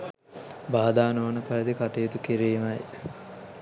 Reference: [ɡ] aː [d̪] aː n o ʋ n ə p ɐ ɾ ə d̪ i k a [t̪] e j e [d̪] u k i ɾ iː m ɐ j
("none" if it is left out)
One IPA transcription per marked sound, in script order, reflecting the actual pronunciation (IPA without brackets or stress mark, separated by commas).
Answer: b, d̪, t̪, t̪